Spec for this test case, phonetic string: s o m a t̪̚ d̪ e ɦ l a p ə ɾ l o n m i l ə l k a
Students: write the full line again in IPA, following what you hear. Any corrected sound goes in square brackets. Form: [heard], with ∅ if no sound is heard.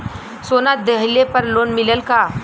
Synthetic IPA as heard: s o [n] a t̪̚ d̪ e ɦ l [e] p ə ɾ l o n m i l ə l k a